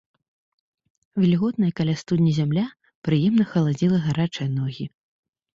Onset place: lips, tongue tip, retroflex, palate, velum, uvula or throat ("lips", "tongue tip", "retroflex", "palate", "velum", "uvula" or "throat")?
lips